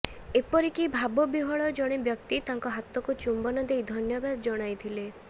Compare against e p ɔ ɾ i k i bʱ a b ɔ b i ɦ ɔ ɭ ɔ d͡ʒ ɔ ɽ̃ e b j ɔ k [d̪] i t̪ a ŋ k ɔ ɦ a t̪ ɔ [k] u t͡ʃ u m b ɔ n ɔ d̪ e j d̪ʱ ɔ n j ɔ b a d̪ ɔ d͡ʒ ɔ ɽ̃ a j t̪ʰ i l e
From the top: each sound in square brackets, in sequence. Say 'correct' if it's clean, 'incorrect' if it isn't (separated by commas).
incorrect, correct